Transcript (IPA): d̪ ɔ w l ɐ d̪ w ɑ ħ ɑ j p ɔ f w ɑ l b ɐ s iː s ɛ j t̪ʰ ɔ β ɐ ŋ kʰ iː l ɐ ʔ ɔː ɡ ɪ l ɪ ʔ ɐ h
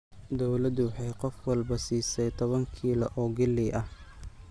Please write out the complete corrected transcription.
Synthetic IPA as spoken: d̪ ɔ w l ɐ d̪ w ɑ ħ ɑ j q ɔ f w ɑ l b ɐ s iː s ɛ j t̪ʰ ɔ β ɐ ŋ kʰ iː l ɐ ʔ ɔː ɡ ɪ l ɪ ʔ ɐ h